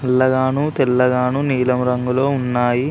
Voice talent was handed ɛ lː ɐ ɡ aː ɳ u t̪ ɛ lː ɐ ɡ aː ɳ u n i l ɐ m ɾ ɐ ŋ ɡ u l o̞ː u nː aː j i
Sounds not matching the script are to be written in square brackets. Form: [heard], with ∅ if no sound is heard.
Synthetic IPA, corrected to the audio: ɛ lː ɐ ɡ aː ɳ u t̪ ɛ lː ɐ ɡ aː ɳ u n [iː] l ɐ m ɾ ɐ ŋ ɡ u l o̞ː u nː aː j i

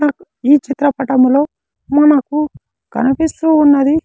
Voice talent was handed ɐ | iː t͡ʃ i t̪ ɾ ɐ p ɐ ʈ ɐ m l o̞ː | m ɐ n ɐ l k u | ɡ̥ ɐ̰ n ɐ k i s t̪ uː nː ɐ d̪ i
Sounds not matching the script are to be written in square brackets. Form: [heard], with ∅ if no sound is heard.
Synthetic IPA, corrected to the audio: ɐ | iː t͡ʃ i t̪ ɾ ɐ p ɐ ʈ ɐ m l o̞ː | m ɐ n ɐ [∅] k u | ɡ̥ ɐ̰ n ɐ [p] i s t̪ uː nː ɐ d̪ i

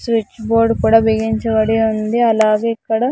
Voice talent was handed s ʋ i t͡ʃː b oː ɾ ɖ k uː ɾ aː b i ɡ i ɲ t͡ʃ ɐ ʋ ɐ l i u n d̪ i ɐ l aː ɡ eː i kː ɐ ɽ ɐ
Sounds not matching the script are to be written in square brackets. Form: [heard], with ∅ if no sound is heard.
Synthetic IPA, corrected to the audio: s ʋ i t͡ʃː b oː ɾ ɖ k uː [ɽ] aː b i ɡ i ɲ t͡ʃ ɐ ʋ ɐ [ɽ] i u n d̪ i ɐ l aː ɡ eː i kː ɐ ɽ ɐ

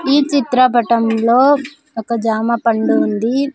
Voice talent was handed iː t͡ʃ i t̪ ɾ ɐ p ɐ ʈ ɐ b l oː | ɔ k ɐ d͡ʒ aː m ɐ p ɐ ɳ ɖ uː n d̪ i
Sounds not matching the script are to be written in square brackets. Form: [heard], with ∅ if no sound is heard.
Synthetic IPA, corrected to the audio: iː t͡ʃ i t̪ ɾ ɐ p ɐ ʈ ɐ [m] l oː | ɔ k ɐ d͡ʒ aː m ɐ p ɐ ɳ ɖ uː n d̪ i

